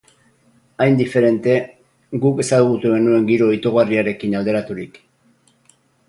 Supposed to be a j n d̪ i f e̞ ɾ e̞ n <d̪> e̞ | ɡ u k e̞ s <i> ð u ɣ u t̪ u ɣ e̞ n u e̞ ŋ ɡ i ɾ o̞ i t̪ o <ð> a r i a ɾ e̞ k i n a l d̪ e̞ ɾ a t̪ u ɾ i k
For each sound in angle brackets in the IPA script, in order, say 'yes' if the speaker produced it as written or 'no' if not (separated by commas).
no, no, no